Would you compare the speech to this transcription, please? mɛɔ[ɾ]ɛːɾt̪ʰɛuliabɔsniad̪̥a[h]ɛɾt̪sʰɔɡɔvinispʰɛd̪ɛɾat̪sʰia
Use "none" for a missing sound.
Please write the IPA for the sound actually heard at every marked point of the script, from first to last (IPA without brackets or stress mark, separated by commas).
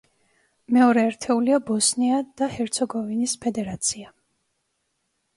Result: ɾ, h